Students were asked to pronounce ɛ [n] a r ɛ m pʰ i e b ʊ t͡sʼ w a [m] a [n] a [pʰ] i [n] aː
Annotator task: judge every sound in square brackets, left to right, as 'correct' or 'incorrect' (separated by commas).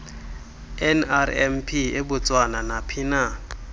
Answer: correct, incorrect, correct, correct, correct